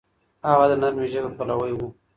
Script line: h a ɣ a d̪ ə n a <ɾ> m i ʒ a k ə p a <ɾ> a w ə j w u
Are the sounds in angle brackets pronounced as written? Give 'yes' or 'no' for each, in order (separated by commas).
yes, no